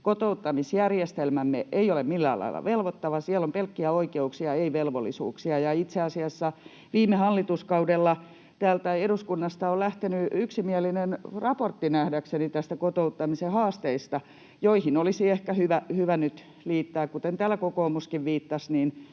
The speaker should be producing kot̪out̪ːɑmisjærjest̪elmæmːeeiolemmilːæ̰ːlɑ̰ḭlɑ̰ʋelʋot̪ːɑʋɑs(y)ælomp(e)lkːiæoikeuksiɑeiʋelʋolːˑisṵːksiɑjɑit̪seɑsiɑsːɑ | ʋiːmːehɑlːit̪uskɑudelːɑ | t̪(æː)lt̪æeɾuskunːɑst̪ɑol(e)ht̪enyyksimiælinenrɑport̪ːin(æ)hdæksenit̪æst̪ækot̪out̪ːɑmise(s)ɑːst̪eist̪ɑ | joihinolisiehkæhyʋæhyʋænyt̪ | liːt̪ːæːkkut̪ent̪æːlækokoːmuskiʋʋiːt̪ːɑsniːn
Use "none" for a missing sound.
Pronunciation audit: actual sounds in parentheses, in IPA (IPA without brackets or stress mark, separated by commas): i, e, æː, æ, æ, h